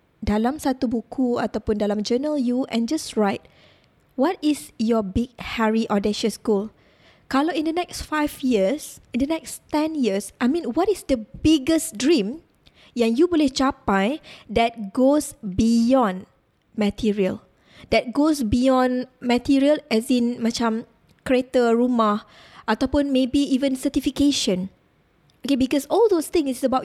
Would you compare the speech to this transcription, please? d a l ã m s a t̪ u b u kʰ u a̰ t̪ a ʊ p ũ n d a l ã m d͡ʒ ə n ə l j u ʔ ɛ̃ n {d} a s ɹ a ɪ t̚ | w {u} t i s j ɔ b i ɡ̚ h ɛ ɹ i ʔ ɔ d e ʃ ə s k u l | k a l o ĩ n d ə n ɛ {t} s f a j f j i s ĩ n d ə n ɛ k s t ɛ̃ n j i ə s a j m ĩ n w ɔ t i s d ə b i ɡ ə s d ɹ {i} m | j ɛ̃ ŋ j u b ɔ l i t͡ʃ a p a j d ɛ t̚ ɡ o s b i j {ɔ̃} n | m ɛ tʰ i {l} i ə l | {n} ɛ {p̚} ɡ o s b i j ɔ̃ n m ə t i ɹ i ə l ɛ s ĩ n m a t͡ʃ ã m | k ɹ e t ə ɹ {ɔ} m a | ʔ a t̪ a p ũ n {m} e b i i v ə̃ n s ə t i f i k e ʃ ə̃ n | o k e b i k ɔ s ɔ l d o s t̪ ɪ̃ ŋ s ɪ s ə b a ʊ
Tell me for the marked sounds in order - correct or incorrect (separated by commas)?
incorrect, incorrect, incorrect, incorrect, correct, incorrect, incorrect, incorrect, incorrect, correct